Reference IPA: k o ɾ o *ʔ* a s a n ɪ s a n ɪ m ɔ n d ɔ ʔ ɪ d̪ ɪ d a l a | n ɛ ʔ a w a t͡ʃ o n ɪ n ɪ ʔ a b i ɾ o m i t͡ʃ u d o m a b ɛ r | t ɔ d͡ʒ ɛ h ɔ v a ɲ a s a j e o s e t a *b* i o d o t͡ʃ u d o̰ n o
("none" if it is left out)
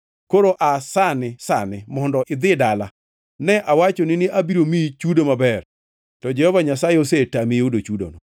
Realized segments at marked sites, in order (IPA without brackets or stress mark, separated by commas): ʔ, m